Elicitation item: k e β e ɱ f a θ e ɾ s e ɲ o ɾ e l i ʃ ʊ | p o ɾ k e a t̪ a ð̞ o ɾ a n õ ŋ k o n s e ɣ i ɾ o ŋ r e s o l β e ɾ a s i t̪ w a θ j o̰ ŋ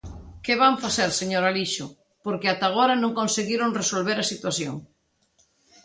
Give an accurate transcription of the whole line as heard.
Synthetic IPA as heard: k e β a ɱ f a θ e ɾ s e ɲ o ɾ a l i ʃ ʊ | p o ɾ k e a t̪ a ɣ̞ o ɾ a n õ ŋ k o n s e ɣ i ɾ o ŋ r e s o l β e ɾ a s i t̪ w a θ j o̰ ŋ